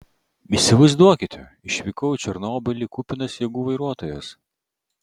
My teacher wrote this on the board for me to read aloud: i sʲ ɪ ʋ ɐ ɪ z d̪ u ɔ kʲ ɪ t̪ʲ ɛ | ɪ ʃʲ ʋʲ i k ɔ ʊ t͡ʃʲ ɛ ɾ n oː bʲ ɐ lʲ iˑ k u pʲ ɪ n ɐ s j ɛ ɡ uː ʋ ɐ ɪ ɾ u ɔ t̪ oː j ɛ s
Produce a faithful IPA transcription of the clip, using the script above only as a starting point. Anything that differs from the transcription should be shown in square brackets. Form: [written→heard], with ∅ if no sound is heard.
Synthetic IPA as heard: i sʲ ɪ ʋ ɐ ɪ z d̪ u ɔ kʲ ɪ t̪ʲ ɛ | ɪ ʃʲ ʋʲ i k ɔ ʊ t͡ʃʲ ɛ ɾ n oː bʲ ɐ lʲ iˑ k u pʲ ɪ n ɐ s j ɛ ɡ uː ʋ ɐ ɪ ɾ u ɔ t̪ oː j ɛ s